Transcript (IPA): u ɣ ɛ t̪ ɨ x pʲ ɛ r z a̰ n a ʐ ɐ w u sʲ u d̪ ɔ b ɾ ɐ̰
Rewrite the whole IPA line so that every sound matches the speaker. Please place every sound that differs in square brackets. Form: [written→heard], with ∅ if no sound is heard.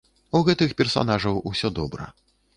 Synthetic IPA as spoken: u ɣ ɛ t̪ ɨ x pʲ ɛ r [z→s] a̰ n a ʐ ɐ w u sʲ [u→ɔ] d̪ ɔ b ɾ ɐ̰